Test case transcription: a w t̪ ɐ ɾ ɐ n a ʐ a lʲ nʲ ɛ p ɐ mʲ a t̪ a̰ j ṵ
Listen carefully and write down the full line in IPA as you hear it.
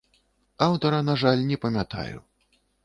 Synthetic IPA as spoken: a w t̪ ɐ ɾ ɐ n a ʐ a lʲ nʲ ɛ p ɐ mʲ a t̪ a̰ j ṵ